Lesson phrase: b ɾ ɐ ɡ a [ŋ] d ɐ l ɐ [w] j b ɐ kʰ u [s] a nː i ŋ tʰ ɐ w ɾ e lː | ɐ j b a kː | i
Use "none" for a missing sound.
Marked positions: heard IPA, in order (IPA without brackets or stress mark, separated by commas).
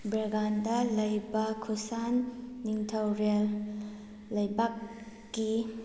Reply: n, none, s